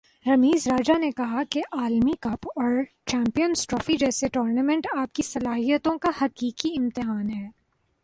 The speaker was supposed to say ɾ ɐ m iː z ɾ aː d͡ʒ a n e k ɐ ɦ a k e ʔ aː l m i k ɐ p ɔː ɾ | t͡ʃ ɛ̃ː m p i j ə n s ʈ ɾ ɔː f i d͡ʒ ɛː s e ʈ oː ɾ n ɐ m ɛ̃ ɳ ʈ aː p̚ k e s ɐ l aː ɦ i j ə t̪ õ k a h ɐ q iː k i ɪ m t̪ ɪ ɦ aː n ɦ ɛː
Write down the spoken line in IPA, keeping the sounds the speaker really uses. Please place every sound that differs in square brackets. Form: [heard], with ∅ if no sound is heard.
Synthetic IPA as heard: ɾ ɐ m iː z ɾ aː d͡ʒ a n e k ɐ ɦ a k e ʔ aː l m i k ɐ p ɔː ɾ | t͡ʃ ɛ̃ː m p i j ə n s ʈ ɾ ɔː f i d͡ʒ ɛː s e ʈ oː ɾ n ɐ m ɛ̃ ɳ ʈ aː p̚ k [i] s ɐ l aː ɦ i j ə t̪ õ k a h ɐ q iː k i ɪ m t̪ ɪ ɦ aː n ɦ ɛː

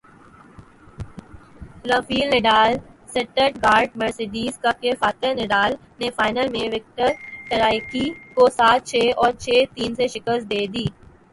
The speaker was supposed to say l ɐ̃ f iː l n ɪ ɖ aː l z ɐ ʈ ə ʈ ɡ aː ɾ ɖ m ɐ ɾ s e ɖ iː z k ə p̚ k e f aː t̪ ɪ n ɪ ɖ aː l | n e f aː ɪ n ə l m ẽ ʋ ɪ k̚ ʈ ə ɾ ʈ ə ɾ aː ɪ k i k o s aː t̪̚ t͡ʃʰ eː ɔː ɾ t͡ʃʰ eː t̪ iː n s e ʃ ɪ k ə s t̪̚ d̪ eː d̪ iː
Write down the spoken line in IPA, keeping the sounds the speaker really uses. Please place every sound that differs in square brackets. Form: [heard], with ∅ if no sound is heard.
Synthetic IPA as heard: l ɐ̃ f iː l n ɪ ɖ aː l [s] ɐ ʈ ə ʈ ɡ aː ɾ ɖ m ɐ ɾ s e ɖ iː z k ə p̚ k e f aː t̪ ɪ n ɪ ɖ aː l | n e f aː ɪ n ə l m ẽ ʋ ɪ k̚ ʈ ə ɾ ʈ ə ɾ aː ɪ k i k o s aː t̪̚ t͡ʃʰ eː ɔː ɾ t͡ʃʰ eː t̪ iː n s e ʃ ɪ k ə s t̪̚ d̪ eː d̪ iː

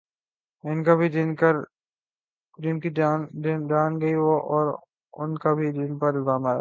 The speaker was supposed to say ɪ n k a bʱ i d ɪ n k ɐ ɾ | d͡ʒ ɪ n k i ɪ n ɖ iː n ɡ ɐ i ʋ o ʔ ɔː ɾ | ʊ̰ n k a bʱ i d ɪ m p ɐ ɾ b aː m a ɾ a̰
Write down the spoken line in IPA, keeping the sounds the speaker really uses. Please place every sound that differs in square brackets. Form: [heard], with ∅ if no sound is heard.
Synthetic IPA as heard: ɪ n k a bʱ i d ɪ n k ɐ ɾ | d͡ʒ ɪ n k i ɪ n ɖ [aː] n ɡ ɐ i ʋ o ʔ ɔː ɾ | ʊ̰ n k a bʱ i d ɪ [n] p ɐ ɾ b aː m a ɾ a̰

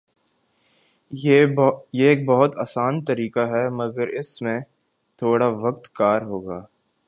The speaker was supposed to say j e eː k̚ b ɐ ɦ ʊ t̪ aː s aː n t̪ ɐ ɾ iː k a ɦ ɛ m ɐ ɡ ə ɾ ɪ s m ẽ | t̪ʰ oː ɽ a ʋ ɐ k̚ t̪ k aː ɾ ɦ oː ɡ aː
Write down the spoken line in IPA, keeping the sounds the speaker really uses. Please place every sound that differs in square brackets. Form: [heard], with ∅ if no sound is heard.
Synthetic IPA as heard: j e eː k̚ b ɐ ɦ ʊ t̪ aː s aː n t̪ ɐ ɾ iː k a ɦ ɛ m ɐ ɡ ə ɾ ɪ s m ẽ | t̪ʰ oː ɽ a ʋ ɐ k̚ t̪ k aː ɾ ɦ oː ɡ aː

